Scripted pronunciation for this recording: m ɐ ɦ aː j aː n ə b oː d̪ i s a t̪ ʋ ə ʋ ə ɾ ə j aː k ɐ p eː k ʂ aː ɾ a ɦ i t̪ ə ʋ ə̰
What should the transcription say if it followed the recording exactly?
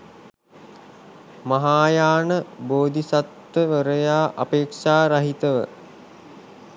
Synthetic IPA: m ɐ ɦ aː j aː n ə b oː d̪ i s a t̪ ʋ ə ʋ ə ɾ ə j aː ʔ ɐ p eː k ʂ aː ɾ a ɦ i t̪ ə ʋ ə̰